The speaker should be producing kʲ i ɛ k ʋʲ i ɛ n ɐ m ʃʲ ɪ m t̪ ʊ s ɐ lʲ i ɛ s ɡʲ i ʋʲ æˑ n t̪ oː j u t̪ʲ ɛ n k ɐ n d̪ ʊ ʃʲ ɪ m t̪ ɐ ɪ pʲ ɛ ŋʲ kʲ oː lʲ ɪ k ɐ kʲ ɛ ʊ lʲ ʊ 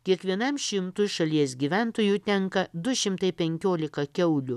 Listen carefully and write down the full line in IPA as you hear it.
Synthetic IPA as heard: kʲ i ɛ k ʋʲ i ɛ n ɐ m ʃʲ ɪ m t̪ ʊ ʃ ɐ lʲ i ɛ s ɡʲ i ʋʲ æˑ n t̪ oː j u t̪ʲ ɛ ŋ k ɐ d̪ ʊ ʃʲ ɪ m t̪ ɐ ɪ pʲ ɛ ŋʲ kʲ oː lʲ ɪ k ɐ kʲ ɛ ʊ lʲ ʊ